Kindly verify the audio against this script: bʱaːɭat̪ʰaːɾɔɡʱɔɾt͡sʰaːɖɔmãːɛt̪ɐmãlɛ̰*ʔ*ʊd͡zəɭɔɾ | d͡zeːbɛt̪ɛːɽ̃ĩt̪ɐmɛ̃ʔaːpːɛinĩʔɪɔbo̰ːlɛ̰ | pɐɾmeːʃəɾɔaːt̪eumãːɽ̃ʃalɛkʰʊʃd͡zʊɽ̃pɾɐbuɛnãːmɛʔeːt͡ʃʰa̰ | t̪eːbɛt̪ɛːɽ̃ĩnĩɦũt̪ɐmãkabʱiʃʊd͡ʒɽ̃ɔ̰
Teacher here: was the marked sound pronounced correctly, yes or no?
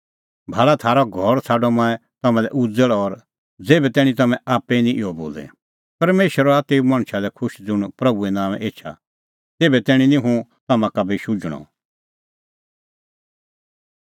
yes